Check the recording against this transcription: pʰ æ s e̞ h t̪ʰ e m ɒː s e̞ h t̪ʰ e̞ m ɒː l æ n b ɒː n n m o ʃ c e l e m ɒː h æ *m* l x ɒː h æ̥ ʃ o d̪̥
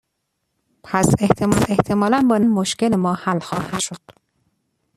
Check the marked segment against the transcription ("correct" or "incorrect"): incorrect